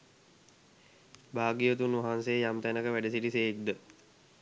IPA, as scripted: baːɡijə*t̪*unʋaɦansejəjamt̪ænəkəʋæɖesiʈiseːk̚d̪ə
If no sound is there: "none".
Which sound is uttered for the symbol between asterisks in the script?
t̪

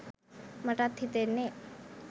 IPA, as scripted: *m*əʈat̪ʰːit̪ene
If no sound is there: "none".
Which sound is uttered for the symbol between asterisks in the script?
m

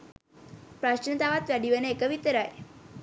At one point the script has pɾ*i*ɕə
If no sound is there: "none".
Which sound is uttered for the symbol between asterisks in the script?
a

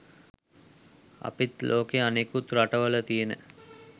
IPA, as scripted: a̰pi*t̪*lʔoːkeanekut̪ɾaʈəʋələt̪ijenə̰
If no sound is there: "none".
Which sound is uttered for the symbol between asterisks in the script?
t̪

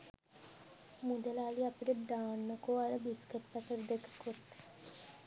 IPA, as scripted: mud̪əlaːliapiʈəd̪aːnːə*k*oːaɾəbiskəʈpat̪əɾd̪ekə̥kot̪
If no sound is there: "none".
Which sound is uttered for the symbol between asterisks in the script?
k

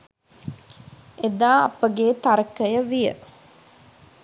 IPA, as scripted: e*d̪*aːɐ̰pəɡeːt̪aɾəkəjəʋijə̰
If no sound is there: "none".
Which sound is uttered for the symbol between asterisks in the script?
d̪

